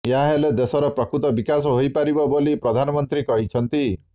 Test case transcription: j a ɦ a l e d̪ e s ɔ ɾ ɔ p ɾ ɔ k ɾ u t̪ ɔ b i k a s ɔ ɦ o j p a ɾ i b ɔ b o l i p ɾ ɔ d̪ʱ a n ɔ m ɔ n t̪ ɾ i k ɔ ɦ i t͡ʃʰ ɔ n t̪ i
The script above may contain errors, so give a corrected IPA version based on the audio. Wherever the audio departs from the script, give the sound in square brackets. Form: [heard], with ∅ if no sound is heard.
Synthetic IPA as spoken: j a ɦ [e] l e d̪ e s ɔ ɾ ɔ p ɾ ɔ k ɾ u t̪ ɔ b i k a s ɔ ɦ o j p a ɾ i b ɔ b o l i p ɾ ɔ d̪ʱ a n ɔ m ɔ n t̪ ɾ i k ɔ ɦ i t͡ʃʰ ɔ n t̪ i